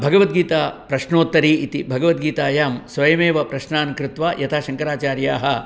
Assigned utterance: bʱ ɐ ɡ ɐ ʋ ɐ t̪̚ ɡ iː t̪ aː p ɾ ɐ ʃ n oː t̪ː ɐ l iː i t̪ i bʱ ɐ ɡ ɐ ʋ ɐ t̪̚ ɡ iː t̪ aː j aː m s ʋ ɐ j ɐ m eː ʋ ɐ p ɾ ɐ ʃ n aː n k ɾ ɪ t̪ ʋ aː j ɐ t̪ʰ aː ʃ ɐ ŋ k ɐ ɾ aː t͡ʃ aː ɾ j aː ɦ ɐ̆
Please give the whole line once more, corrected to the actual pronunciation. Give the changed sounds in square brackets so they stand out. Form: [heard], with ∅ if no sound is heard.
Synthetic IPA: bʱ ɐ ɡ ɐ ʋ ɐ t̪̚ ɡ iː t̪ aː p ɾ ɐ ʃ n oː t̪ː ɐ [ɾ] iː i t̪ i bʱ ɐ ɡ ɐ ʋ ɐ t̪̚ ɡ iː t̪ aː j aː m s ʋ ɐ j ɐ m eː ʋ ɐ p ɾ ɐ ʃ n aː n k ɾ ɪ t̪ ʋ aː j ɐ t̪ʰ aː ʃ ɐ ŋ k ɐ ɾ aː t͡ʃ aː ɾ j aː ɦ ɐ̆